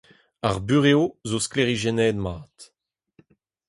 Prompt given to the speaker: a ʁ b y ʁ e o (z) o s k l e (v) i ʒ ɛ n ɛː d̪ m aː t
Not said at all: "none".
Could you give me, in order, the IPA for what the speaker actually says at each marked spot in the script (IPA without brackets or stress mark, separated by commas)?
z, ʁ